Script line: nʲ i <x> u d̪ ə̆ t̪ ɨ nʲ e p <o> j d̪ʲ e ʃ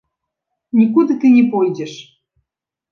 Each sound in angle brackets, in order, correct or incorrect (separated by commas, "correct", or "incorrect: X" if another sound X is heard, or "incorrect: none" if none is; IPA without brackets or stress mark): incorrect: k, correct